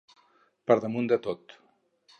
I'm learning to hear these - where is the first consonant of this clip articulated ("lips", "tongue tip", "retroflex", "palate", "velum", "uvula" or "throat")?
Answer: lips